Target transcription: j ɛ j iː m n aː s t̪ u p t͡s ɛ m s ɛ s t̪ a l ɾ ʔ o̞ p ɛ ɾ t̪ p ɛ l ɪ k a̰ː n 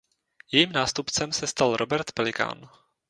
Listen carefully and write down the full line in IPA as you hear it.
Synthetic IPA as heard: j ɛ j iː m n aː s t̪ u p t͡s ɛ m s ɛ s t̪ a l ɾ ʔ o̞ b ɛ ɾ t̪ p ɛ l ɪ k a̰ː n

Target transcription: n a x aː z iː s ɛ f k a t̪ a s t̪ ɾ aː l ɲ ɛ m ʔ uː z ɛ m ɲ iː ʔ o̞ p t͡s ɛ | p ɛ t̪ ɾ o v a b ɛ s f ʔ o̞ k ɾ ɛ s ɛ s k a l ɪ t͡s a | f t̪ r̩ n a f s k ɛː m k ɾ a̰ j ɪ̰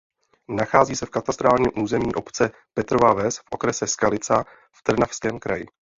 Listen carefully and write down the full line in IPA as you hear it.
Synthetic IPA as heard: n a x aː z iː s ɛ f k a t̪ a s t̪ ɾ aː l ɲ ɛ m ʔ uː z ɛ m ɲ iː ʔ o̞ p t͡s ɛ | p ɛ t̪ ɾ o v a v ɛ s f ʔ o̞ k ɾ ɛ s ɛ s k a l ɪ t͡s a | f t̪ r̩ n a f s k ɛː m k ɾ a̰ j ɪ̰

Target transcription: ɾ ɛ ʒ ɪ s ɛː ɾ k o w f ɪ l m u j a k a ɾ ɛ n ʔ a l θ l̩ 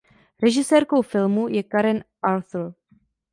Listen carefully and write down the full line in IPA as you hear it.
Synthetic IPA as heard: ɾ ɛ ʒ ɪ s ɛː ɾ k o w f ɪ l m u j ɛ k a ɾ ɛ n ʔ a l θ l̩

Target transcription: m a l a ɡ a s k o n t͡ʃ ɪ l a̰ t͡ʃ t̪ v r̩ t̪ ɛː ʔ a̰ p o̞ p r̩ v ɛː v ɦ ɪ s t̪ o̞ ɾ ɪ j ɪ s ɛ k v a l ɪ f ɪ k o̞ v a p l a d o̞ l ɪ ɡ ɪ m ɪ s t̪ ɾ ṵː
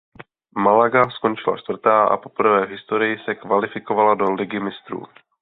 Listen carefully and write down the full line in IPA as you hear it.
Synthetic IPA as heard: m a l a ɡ a s k o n t͡ʃ ɪ l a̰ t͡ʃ t̪ v r̩ t̪ aː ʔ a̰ p o̞ p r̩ v ɛː v ɦ ɪ s t̪ o̞ ɾ ɪ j ɪ s ɛ k v a l ɪ f ɪ k o̞ v a l a d o̞ l ɪ ɡ ɪ m ɪ s t̪ ɾ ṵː

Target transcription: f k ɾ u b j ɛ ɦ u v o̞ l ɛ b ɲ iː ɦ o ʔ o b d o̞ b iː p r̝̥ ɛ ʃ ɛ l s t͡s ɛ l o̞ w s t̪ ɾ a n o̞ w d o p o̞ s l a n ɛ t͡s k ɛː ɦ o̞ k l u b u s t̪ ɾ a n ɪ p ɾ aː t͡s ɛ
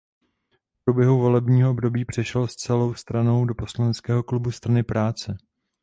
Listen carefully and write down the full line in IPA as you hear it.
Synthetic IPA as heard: f p ɾ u b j ɛ ɦ u v o̞ l ɛ b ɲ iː ɦ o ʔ o b d o̞ b iː p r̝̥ ɛ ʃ ɛ l s t͡s ɛ l o̞ w s t̪ ɾ a n o̞ w d o p o̞ s l a n ɛ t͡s k ɛː ɦ o̞ k l u b u s t̪ ɾ a n ɪ p ɾ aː t͡s ɛ

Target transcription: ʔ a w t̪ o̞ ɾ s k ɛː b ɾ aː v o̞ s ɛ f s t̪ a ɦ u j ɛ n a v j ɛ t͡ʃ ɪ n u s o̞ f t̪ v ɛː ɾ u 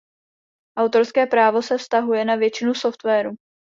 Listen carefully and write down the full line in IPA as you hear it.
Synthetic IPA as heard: ʔ a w t̪ o̞ ɾ s k ɛː p ɾ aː v o̞ s ɛ f s t̪ a ɦ u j ɛ n a v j ɛ t͡ʃ ɪ n u s o̞ f t̪ v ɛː ɾ u

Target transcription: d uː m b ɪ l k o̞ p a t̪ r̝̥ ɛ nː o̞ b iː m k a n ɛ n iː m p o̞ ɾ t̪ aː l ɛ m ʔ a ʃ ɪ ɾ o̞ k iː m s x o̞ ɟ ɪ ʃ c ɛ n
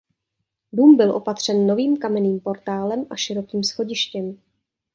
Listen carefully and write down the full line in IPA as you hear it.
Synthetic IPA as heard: d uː m b ɪ l ʔ o̞ p a t̪ r̝̥ ɛ nː o̞ v iː m k a m ɛ n iː m p o̞ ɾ t̪ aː l ɛ m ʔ a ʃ ɪ ɾ o̞ k iː m s x o̞ ɟ ɪ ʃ c ɛ m

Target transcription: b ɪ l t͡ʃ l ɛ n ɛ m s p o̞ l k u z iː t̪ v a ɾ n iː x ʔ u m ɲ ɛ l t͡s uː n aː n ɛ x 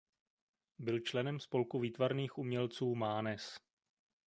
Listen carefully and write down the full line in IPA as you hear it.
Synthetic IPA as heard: b ɪ l t͡ʃ l ɛ n ɛ m s p o̞ l k u v iː t̪ v a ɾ n iː x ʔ u m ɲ ɛ l t͡s uː m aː n ɛ s

